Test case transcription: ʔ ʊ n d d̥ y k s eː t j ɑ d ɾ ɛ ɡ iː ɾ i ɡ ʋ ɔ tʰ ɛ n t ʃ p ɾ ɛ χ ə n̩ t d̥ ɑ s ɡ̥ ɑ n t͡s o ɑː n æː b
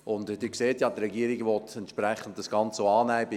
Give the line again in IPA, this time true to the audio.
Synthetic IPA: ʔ ʊ n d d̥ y k s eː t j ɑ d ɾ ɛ ɡ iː ɾ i ɡ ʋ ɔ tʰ ɛ n t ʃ p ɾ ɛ χ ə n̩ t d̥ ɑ s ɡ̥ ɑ n t͡s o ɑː n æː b